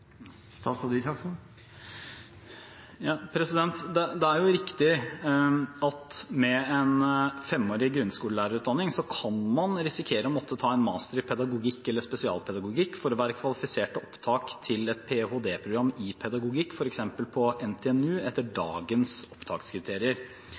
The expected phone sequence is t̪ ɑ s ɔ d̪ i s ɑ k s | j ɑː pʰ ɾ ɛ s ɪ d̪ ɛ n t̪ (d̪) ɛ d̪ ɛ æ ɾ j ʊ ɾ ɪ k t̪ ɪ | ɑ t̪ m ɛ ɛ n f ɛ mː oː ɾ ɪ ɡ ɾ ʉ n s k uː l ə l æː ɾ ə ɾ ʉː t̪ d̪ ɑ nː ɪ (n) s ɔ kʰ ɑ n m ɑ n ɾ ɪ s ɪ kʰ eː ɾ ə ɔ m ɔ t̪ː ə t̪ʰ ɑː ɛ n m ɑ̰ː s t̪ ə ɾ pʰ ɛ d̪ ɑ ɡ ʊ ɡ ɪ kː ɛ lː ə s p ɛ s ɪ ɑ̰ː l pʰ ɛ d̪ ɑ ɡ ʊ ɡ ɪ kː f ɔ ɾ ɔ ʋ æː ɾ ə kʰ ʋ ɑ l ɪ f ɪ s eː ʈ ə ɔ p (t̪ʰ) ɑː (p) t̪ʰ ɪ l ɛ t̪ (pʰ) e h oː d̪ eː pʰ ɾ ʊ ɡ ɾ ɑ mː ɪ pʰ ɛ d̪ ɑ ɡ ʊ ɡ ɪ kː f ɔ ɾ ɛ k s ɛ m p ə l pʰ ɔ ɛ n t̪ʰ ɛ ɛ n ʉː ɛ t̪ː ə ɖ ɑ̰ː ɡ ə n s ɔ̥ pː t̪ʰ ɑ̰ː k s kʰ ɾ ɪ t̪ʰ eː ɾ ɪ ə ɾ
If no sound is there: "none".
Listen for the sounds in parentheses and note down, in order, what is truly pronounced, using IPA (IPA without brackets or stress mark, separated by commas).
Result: d̪, ŋ, t̪ʰ, k, pʰ